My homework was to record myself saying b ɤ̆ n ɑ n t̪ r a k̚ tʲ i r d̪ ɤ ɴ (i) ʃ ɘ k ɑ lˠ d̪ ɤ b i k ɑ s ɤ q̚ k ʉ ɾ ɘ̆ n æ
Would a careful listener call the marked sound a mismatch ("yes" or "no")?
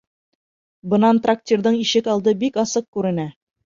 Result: no